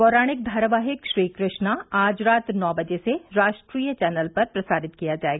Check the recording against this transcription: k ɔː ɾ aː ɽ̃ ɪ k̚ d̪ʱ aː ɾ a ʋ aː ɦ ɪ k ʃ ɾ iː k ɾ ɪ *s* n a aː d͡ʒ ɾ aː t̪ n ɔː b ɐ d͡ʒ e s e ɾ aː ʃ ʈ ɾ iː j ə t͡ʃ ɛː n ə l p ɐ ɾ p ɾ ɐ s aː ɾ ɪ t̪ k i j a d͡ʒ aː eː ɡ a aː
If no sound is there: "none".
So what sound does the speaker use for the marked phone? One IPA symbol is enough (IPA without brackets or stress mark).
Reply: ʃ